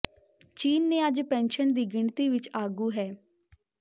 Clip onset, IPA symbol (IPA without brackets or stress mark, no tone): t͡ʃ